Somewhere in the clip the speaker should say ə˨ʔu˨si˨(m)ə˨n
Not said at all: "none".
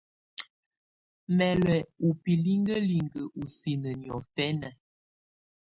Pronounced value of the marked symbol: n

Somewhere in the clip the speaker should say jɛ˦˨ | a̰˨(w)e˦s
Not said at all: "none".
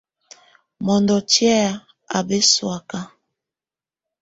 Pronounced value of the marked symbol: b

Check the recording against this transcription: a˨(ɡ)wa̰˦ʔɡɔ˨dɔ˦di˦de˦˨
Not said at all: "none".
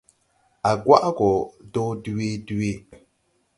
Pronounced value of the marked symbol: ɡ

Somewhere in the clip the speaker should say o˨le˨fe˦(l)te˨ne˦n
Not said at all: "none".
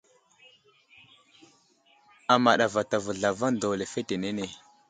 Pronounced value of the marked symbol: none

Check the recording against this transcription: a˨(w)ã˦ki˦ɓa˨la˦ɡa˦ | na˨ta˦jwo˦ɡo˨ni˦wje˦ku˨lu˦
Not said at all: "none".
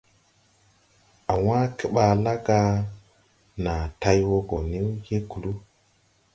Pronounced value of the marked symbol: w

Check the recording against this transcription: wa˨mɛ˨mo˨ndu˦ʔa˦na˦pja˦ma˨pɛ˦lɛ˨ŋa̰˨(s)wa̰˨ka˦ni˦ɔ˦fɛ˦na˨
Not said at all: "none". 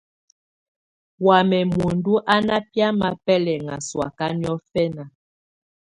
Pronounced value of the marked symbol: s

